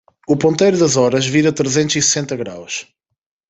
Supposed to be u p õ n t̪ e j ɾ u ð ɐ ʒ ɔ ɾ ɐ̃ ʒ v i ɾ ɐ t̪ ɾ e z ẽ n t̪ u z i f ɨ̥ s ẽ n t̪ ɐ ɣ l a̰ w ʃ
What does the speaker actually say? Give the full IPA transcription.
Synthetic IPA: u p õ n t̪ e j ɾ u ð ɐ z ɔ ɾ ɐ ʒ v i ɾ ɐ t̪ ɾ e z ẽ n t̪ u z i s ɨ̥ s ẽ n t̪ ɐ ɣ ɾ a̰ w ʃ